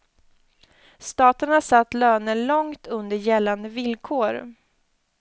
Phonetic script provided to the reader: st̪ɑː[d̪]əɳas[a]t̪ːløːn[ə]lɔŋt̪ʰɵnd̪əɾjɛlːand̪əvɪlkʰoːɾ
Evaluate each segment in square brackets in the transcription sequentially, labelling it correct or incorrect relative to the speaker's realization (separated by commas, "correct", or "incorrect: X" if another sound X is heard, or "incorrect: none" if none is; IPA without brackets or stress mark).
incorrect: t̪, correct, correct